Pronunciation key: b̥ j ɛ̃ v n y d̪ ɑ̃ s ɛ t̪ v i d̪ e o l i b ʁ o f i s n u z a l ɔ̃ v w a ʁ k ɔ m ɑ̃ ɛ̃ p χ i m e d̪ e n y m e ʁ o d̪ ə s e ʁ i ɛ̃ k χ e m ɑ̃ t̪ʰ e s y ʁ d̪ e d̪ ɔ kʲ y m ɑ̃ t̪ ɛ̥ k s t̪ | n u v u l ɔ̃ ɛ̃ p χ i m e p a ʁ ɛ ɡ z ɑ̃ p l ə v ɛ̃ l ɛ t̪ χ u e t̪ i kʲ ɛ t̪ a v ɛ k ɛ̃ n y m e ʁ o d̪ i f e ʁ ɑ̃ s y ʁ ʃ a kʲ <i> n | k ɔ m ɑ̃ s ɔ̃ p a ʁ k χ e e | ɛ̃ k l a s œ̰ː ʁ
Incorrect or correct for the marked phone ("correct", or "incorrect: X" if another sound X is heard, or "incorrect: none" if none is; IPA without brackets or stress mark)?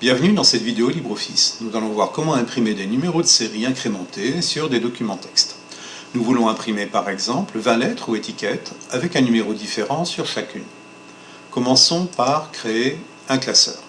incorrect: y